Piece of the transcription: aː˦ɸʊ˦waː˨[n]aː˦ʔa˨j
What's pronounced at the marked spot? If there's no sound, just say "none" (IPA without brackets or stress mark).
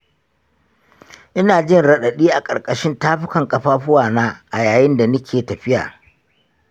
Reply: n